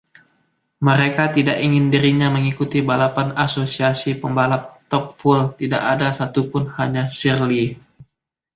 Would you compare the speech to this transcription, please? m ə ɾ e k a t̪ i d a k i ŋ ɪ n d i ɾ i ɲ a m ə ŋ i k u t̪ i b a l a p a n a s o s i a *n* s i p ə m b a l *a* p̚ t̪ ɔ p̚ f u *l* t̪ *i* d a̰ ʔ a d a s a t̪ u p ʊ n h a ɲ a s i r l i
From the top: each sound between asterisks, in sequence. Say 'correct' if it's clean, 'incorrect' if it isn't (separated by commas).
incorrect, correct, correct, correct